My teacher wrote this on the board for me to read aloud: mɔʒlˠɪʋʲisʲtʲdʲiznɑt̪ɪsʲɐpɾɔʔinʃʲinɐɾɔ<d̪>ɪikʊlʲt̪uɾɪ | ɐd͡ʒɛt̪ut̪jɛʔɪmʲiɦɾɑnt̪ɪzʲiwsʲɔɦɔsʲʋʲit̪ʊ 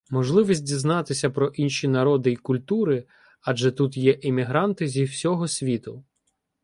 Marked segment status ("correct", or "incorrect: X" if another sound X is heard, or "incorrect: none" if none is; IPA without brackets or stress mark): correct